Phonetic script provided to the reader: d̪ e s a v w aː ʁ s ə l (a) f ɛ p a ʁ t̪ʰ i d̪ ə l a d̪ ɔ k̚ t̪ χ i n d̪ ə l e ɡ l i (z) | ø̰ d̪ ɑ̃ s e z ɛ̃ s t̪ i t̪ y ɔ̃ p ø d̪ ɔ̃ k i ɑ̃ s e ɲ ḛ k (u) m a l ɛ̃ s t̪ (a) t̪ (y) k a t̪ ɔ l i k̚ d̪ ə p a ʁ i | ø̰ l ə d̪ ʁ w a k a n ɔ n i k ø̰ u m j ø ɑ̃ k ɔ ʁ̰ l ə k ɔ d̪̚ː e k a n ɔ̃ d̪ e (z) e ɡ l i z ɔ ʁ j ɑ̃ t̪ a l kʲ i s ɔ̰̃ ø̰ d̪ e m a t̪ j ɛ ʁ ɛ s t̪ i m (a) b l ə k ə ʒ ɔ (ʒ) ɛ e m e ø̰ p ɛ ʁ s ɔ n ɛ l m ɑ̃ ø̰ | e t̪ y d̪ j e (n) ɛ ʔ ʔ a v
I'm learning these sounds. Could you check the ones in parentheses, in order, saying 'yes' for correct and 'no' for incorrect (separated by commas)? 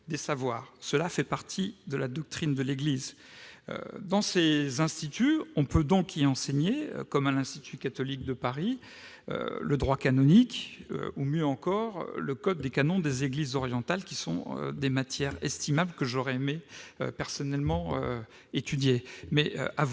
yes, yes, no, no, yes, yes, yes, no, no